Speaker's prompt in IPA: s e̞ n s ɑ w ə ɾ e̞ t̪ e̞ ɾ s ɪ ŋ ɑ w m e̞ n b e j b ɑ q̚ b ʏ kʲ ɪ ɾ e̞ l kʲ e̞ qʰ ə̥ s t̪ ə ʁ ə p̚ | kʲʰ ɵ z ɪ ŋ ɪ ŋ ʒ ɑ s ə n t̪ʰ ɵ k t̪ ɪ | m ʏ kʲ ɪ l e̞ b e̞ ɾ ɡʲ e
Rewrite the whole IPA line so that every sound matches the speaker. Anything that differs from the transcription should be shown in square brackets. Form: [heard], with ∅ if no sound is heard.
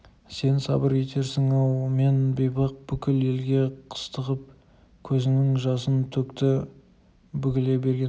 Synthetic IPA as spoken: s e̞ n s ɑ [b] ə ɾ e̞ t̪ e̞ ɾ s ɪ ŋ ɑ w m e̞ n b e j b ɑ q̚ b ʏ kʲ ɪ [l] e̞ l [ɡʲ] e̞ qʰ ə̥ s t̪ ə ʁ ə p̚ | kʲʰ ɵ z ɪ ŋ ɪ ŋ ʒ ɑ s ə n t̪ʰ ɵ k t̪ ɪ | [b] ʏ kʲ ɪ l e̞ b e̞ ɾ ɡʲ e